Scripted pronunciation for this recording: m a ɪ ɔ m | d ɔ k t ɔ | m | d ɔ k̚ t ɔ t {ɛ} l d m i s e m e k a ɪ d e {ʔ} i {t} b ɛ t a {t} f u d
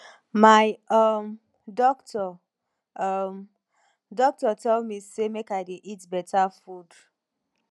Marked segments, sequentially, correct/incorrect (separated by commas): correct, correct, correct, incorrect